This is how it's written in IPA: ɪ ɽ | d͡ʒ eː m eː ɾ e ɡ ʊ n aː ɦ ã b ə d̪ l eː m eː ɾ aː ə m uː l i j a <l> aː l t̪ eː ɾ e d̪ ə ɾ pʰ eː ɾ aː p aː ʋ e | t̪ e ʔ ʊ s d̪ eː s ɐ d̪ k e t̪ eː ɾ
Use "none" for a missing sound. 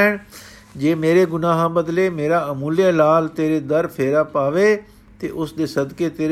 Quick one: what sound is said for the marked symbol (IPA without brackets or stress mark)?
l